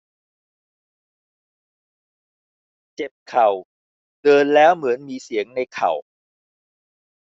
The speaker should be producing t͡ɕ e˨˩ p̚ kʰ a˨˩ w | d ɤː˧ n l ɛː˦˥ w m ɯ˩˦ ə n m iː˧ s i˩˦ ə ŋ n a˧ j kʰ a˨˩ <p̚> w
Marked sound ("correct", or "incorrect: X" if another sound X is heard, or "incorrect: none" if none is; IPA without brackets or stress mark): incorrect: none